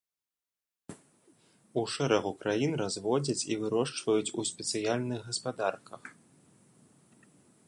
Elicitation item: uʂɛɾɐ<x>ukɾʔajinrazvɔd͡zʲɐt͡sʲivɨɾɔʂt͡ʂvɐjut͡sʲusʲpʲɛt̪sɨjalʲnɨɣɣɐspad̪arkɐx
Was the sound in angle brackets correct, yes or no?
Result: no